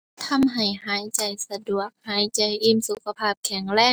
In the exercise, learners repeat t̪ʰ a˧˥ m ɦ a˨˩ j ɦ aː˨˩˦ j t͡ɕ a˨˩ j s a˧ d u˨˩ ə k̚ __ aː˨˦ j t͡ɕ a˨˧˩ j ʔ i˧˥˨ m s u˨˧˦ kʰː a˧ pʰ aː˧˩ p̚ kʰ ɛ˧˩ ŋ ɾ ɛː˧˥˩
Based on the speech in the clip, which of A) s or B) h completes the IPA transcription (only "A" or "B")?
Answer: B